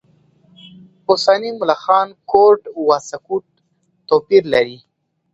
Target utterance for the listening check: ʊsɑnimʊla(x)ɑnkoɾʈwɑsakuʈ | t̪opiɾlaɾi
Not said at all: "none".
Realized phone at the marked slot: x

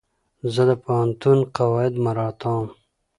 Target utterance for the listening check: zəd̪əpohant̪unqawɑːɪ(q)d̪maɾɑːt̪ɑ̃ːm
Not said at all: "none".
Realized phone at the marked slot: none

